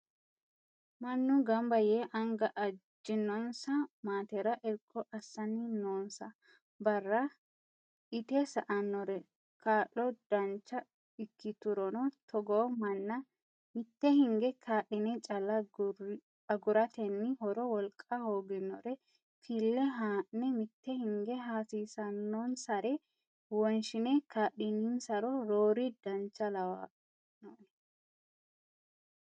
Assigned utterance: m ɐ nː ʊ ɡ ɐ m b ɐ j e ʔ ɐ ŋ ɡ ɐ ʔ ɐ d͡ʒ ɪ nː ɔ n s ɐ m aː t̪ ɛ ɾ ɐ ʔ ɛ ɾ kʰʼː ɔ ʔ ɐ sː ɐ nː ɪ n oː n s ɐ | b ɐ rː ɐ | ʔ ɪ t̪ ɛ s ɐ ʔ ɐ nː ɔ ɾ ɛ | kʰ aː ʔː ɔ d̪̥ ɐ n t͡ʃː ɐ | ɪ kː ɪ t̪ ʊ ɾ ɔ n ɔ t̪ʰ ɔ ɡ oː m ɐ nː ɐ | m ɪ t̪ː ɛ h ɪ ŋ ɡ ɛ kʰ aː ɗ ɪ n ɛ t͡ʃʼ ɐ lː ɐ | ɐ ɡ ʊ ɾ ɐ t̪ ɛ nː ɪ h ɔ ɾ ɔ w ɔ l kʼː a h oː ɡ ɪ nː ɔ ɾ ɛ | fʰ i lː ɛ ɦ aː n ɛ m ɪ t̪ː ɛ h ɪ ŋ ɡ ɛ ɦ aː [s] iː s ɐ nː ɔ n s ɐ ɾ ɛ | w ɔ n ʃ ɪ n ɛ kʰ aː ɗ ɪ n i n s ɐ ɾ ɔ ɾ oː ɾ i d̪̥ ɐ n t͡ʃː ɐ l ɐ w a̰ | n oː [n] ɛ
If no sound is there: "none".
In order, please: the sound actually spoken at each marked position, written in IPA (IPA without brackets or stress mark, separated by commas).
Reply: s, n